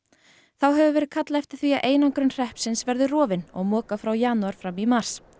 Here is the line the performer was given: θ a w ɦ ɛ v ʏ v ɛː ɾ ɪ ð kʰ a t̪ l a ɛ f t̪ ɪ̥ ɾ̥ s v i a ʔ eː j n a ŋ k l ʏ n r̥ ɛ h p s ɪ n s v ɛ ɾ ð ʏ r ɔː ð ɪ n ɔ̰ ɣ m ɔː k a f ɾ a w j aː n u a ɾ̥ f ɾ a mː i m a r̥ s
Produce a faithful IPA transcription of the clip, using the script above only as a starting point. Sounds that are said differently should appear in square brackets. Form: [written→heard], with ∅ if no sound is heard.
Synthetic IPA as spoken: θ a w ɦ ɛ v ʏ v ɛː ɾ ɪ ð kʰ a t̪ l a ɛ f t̪ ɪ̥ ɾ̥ [s→θ] v i a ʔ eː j n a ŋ k [l→ɾ] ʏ n r̥ ɛ h p s ɪ n s v ɛ ɾ ð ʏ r ɔː [ð→v] ɪ n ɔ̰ ɣ m ɔː k a f ɾ a w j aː n u a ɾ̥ f ɾ a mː i m a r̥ s